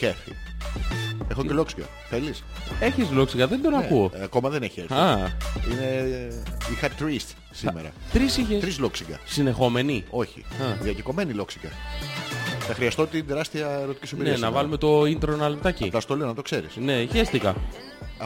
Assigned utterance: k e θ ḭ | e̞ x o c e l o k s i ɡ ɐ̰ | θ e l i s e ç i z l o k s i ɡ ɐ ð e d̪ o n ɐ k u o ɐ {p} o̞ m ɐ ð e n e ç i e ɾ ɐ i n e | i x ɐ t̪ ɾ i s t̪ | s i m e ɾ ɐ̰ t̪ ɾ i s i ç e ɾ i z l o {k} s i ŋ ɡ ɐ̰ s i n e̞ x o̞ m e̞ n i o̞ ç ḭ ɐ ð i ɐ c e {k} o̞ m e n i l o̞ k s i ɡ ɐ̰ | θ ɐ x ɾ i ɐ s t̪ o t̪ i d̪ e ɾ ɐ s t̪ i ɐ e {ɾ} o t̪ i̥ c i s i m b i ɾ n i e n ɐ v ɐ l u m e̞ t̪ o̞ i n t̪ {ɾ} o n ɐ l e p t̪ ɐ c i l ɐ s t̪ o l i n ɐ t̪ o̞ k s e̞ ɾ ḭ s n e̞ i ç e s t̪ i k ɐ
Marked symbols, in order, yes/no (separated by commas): no, yes, yes, yes, yes